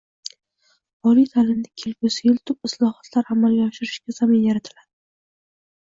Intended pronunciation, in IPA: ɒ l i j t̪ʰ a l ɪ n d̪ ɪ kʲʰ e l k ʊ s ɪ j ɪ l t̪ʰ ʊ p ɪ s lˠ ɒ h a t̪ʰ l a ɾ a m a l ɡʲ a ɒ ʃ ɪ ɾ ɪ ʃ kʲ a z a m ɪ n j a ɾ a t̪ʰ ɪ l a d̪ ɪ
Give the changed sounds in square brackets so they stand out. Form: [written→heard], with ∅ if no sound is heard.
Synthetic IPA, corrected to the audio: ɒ l i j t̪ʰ a l ɪ n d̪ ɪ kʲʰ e l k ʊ s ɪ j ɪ l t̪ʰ ʊ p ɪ s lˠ ɒ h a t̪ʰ l a ɾ a m a l ɡʲ a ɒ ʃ ɪ ɾ ɪ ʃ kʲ a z a m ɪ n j a ɾ a t̪ʰ ɪ l a d̪ ɪ